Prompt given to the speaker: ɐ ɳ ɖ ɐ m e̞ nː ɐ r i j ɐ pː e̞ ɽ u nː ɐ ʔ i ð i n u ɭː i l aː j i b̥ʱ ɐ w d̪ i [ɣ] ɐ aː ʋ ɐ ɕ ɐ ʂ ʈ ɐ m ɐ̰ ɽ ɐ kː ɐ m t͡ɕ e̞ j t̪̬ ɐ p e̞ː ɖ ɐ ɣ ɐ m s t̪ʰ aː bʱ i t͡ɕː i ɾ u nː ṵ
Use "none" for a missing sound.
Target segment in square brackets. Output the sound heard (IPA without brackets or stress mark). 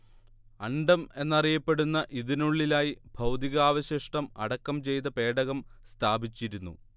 ɣ